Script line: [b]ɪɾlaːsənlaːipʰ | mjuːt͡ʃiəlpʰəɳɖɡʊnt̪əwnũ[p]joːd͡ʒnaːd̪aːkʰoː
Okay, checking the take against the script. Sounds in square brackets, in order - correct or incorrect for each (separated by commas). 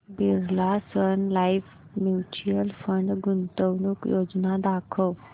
correct, incorrect